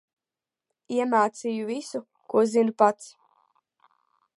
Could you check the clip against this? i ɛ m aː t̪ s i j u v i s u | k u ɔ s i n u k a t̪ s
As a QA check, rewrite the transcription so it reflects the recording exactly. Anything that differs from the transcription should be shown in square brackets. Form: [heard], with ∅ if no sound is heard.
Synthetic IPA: i ɛ m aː t̪ s i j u v i s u | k u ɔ [z] i n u [p] a t̪ s